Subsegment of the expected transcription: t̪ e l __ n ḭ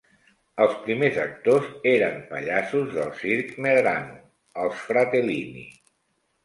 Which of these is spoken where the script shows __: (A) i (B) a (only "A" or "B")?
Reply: A